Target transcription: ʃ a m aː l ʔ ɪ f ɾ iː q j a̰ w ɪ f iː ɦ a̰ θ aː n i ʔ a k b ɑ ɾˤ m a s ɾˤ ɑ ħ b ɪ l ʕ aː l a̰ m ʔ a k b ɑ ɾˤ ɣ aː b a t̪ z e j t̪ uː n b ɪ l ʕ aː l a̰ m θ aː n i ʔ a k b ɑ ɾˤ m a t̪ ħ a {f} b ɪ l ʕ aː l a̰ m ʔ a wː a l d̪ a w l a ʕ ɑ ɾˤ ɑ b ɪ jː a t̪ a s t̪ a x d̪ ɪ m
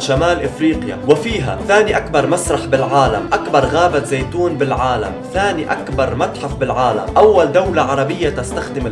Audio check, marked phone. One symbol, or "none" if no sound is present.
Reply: f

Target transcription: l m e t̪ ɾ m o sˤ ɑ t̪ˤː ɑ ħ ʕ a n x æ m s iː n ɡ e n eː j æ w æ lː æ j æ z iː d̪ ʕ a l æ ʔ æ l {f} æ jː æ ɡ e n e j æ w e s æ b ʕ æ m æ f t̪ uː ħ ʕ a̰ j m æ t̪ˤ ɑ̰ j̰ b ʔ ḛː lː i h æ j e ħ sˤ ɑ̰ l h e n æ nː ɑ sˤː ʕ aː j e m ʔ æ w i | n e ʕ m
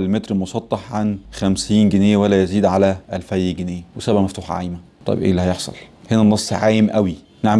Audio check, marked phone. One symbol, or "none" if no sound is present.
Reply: f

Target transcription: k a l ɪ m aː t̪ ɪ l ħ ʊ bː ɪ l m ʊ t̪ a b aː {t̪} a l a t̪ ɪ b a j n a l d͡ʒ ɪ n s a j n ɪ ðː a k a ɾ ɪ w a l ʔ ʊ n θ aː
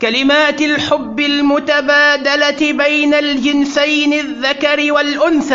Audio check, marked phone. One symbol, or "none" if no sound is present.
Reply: d̪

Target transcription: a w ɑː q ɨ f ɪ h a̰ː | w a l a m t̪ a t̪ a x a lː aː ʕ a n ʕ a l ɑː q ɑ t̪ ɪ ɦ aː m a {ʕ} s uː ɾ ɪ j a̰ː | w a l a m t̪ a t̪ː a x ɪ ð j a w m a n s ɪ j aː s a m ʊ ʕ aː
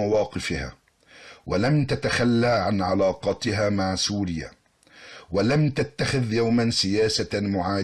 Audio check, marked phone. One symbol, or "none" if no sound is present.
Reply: ʕ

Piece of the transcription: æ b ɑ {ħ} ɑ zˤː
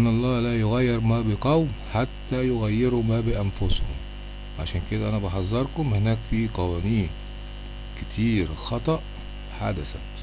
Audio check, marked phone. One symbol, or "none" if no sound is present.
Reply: ħ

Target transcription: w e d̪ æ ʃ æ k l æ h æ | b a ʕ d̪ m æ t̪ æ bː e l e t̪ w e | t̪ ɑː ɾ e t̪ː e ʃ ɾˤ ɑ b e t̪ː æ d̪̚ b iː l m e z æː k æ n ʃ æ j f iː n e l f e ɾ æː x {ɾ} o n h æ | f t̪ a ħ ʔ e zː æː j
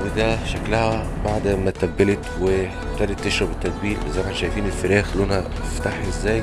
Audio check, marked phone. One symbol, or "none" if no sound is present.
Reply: l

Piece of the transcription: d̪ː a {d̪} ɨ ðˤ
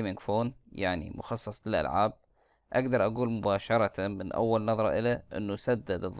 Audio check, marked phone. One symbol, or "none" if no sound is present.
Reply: d̪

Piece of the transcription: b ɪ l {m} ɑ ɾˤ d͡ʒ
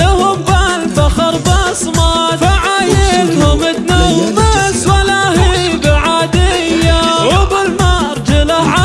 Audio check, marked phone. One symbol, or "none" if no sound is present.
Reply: m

